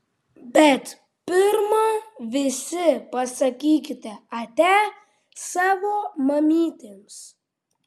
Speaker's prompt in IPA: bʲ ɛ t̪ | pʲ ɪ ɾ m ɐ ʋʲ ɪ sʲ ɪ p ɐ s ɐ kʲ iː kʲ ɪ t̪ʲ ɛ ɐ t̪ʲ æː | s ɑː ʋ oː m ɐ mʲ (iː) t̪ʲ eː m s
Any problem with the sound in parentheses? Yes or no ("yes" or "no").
no